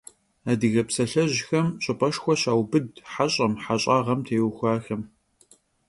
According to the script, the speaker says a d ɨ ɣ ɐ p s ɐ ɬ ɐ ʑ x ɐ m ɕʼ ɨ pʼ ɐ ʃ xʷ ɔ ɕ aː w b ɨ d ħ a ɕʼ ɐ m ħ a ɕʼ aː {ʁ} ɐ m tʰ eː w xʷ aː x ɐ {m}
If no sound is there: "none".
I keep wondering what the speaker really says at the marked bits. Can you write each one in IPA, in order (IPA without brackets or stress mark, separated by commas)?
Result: ʁ, m